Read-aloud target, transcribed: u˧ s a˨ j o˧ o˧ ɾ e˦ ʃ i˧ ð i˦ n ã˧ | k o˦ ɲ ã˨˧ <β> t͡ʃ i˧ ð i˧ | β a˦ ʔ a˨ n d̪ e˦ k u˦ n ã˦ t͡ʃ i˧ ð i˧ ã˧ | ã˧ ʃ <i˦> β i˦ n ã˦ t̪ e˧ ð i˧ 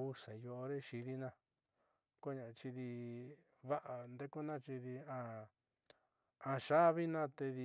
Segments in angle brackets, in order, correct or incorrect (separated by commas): incorrect, incorrect